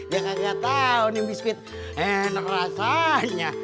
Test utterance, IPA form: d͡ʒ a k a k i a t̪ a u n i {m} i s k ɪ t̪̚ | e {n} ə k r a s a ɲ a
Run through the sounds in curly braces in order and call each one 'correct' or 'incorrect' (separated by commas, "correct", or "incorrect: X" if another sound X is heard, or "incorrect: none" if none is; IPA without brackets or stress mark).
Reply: incorrect: b, correct